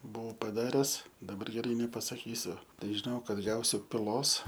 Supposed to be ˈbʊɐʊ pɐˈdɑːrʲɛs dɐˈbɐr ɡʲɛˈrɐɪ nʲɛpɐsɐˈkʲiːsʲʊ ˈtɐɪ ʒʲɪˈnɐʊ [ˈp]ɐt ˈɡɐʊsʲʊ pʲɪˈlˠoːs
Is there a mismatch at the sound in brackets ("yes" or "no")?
yes